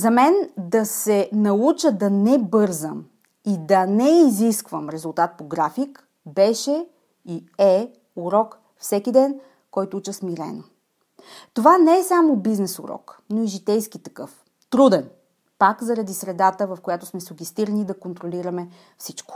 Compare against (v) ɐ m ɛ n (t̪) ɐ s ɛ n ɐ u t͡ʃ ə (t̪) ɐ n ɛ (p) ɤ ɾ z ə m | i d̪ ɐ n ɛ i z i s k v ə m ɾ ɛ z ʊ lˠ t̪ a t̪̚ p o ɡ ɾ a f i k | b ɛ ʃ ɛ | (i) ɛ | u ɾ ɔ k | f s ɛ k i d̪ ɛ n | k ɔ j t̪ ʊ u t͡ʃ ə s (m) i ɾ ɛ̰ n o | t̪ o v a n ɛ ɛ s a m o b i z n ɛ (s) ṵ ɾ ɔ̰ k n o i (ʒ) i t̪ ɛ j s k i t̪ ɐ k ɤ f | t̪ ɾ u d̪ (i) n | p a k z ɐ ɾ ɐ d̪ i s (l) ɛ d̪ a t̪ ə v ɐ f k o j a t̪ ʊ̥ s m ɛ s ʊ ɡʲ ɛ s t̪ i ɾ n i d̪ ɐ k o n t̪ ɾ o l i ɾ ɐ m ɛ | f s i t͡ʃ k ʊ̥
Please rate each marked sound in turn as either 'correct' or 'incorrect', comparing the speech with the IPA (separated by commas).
incorrect, incorrect, incorrect, incorrect, correct, correct, correct, correct, incorrect, incorrect